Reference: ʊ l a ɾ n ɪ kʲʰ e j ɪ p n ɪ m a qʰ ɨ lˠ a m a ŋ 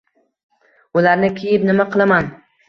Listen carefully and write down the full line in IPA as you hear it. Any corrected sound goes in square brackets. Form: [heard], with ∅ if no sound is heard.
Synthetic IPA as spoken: ʊ l a ɾ n ɪ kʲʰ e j ɪ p n ɪ m a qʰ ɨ lˠ a m a [n]